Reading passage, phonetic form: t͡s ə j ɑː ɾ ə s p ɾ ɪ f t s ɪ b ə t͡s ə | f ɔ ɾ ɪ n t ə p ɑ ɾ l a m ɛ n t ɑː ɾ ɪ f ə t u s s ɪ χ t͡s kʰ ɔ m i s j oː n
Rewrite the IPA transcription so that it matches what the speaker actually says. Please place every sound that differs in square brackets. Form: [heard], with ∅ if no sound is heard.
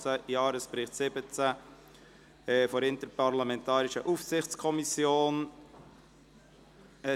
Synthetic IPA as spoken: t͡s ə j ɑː ɾ ə s p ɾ ɪ [χ] t s ɪ b ə t͡s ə | f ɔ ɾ ɪ n t ə p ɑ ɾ l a m ɛ n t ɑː ɾ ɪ [ʃ] ə [ʔ] u [f] s ɪ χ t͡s kʰ ɔ m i s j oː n